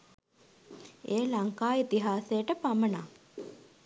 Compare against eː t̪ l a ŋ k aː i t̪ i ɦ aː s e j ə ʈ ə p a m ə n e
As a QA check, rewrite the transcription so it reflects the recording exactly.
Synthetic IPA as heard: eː l a ŋ k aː i t̪ i ɦ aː s e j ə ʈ ə p a m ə n a